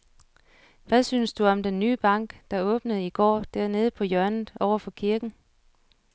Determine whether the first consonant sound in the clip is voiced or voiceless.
voiced